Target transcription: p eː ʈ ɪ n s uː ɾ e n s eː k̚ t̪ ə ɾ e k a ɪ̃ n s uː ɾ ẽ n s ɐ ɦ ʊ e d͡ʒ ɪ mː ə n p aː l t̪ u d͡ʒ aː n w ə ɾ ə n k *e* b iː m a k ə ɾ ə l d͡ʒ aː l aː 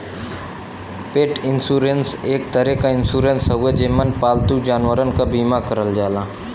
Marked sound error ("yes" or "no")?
yes